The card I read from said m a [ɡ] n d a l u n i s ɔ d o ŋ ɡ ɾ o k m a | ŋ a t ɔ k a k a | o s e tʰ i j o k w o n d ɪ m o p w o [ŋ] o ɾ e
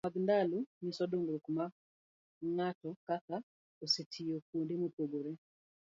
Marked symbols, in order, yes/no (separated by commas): yes, no